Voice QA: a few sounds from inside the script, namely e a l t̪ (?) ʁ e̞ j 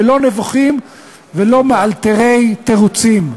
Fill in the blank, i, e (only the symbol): e